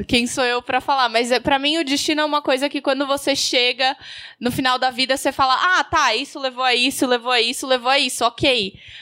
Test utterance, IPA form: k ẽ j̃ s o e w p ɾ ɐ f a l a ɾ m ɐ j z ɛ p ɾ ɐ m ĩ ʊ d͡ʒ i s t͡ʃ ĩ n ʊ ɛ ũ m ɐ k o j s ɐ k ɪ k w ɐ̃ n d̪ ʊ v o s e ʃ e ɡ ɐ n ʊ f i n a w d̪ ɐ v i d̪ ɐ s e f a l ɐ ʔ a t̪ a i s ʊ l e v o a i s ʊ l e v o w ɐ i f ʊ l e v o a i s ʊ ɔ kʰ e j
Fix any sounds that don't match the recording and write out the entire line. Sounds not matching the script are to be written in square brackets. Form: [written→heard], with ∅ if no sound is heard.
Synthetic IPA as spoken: k ẽ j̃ s o e w p ɾ ɐ f a l a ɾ m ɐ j z ɛ p ɾ ɐ m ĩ ʊ d͡ʒ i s t͡ʃ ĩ n ʊ ɛ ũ m ɐ k o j [s→z] ɐ k ɪ k w ɐ̃ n d̪ ʊ v o s e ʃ e ɡ ɐ n ʊ f i n a w d̪ ɐ v i d̪ ɐ s e f a l ɐ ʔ a t̪ a i s ʊ l e v o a i s ʊ l e v o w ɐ i [f→s] ʊ l e v o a i s ʊ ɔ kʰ e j